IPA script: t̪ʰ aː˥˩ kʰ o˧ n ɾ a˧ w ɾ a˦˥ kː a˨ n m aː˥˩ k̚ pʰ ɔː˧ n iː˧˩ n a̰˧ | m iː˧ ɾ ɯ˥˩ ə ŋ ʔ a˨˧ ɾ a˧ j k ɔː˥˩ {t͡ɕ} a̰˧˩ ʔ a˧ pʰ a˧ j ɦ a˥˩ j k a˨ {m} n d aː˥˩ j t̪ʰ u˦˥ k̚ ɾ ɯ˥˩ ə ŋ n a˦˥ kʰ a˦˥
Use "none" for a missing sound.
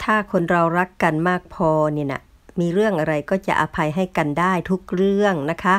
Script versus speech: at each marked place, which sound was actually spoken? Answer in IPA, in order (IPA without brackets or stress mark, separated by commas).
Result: t͡ɕ, none